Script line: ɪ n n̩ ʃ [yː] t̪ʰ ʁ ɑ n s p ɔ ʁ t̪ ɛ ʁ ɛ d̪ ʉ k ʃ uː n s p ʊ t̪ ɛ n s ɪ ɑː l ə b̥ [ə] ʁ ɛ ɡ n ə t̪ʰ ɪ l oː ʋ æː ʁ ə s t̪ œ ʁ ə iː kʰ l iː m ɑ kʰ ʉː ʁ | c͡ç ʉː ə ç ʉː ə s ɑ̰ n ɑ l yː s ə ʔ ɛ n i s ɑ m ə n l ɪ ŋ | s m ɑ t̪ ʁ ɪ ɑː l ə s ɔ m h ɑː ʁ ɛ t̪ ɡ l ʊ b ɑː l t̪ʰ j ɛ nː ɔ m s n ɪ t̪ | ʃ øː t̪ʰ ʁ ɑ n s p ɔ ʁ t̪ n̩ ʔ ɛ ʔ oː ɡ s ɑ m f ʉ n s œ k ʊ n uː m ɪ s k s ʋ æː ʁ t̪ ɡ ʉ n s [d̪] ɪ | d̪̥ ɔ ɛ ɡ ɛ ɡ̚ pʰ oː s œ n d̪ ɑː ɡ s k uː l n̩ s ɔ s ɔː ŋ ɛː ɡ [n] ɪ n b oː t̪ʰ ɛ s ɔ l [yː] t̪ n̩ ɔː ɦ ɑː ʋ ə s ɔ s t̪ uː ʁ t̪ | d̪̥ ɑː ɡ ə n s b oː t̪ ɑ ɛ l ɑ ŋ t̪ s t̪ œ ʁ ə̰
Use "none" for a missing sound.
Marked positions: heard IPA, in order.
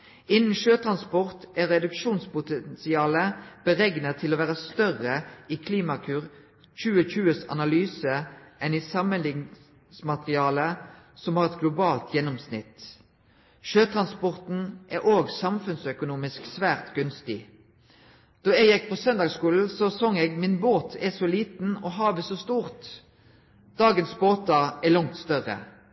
øː, ə, t̪, m, iː

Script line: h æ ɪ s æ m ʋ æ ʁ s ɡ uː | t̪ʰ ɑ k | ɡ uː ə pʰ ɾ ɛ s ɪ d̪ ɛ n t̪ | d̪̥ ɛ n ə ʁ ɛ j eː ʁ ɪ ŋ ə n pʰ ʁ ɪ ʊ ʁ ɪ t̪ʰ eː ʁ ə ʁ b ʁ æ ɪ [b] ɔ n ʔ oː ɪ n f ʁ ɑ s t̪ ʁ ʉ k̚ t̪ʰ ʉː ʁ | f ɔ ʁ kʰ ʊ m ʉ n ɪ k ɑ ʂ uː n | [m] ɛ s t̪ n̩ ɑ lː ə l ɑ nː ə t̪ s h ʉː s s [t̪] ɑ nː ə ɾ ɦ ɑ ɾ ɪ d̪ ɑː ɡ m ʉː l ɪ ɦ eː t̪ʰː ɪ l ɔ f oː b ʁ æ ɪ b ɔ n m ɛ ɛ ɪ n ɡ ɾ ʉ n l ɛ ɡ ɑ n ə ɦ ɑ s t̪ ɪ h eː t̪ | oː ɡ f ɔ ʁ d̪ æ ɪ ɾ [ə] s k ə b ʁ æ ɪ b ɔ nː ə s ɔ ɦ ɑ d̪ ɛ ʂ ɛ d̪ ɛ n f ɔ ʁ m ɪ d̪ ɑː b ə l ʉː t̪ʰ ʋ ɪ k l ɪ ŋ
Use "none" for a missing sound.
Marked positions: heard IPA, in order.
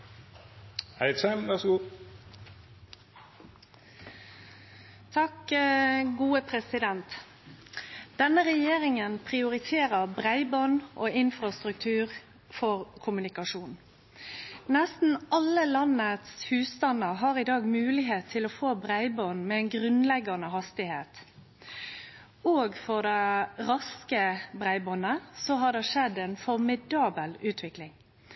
b, n, t̪, ɑ

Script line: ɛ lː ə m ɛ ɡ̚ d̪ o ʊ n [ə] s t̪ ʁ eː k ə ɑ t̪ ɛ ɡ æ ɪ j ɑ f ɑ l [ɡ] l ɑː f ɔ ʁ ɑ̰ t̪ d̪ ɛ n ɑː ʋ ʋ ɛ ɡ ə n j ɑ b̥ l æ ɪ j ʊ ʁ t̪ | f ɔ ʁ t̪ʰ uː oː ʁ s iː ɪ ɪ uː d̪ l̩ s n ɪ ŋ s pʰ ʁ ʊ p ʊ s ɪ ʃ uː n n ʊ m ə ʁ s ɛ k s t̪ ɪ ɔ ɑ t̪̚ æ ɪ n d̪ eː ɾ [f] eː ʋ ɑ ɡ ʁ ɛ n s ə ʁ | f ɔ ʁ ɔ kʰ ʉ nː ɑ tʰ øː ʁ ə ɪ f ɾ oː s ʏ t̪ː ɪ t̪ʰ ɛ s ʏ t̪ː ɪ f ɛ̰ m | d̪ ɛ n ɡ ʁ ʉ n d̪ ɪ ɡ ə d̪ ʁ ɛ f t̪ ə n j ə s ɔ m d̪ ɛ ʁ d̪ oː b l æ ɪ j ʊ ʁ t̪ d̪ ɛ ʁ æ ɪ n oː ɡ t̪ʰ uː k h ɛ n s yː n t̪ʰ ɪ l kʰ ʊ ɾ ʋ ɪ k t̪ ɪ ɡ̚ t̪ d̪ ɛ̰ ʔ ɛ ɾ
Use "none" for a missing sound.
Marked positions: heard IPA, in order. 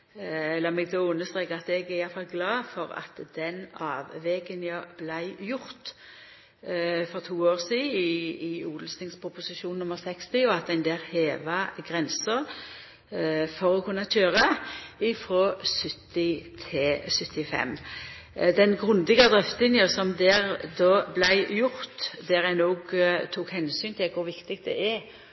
ə, ɡ, h

